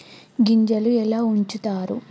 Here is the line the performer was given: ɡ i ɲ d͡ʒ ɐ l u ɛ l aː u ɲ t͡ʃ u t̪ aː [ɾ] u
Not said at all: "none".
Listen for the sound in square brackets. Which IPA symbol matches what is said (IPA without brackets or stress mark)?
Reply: ɾ